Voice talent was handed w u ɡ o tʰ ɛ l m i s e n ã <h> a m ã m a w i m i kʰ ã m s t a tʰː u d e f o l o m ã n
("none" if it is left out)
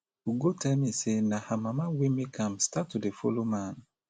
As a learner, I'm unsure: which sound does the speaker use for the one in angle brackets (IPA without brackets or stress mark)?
h